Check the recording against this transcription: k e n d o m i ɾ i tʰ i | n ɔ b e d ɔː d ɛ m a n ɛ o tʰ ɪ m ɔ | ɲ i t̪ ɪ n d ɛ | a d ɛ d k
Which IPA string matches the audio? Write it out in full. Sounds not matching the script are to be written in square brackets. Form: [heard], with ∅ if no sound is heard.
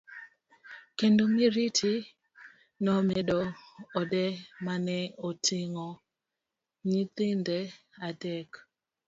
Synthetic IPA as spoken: k e n d o m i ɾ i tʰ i | n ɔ [m] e d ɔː d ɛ m a n ɛ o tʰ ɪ [ŋ] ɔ | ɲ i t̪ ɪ n d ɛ | a d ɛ [∅] k